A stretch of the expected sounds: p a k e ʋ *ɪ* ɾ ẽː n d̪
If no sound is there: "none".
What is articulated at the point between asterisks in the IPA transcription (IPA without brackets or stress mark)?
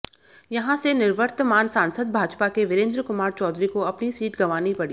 ɪ